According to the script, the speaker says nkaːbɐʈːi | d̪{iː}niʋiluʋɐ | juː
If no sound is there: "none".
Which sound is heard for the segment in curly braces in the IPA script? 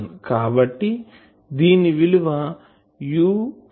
iː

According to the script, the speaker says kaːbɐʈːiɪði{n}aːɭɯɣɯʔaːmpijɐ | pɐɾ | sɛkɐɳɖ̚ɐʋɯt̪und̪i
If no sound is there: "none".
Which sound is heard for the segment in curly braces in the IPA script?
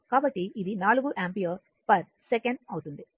n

